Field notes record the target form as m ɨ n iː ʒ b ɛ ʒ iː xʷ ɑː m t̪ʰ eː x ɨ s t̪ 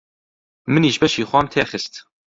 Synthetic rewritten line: m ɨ n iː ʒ b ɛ ʃ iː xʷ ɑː m t̪ʰ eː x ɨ s t̪